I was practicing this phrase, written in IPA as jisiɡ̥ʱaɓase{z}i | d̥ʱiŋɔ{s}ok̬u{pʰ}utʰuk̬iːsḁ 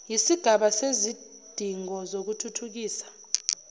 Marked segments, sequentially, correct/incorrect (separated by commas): correct, incorrect, incorrect